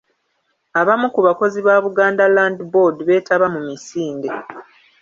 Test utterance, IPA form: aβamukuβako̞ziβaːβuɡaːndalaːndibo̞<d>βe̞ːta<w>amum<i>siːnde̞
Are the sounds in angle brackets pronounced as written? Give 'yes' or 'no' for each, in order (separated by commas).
yes, no, yes